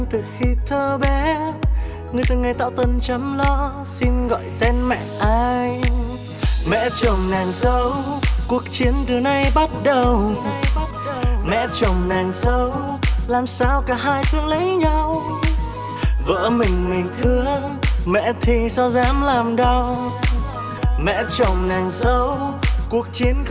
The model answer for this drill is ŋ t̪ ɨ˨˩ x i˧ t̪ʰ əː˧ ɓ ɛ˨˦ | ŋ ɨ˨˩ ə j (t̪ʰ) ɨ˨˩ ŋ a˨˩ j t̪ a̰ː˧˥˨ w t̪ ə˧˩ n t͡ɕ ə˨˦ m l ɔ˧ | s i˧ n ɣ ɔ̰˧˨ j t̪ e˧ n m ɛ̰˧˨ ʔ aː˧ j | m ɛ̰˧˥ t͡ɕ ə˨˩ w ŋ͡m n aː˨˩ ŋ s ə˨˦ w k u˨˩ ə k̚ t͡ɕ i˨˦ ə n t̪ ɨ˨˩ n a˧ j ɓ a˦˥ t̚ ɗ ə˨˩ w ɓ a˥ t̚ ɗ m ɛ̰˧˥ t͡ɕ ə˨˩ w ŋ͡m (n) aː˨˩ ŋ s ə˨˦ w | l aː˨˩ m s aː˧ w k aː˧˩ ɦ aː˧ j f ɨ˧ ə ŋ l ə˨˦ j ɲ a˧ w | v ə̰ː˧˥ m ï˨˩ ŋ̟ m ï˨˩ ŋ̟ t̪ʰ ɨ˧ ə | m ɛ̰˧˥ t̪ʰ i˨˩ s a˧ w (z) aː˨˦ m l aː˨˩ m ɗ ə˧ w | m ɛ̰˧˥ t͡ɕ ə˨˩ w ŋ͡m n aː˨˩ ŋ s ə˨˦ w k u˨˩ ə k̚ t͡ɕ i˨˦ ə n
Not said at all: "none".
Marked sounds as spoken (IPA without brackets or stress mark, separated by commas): t̪, n, z